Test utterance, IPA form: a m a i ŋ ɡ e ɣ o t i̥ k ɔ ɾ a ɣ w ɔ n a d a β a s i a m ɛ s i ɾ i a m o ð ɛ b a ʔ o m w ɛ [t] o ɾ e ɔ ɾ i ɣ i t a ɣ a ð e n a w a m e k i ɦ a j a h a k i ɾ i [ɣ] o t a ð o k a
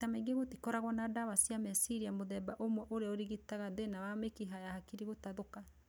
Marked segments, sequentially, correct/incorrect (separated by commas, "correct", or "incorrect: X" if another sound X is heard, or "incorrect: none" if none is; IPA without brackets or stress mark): incorrect: ʔ, correct